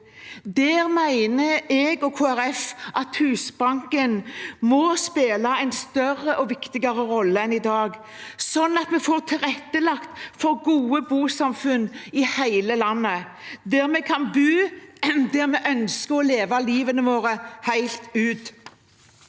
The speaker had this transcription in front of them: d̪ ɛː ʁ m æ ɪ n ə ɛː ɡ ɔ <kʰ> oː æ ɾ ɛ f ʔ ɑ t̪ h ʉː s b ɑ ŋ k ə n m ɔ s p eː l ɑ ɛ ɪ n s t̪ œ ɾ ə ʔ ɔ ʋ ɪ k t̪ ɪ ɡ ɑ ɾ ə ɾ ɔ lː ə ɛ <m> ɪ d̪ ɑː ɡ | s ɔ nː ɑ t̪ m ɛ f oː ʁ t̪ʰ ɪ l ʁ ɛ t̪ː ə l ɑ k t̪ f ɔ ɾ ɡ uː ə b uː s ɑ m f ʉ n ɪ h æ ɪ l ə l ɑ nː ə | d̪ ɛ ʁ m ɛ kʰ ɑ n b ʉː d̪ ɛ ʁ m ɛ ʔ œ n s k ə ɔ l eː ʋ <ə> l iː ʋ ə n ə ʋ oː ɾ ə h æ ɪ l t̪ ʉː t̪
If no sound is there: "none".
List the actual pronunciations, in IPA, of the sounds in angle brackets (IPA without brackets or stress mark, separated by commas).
kʰ, n, ɑ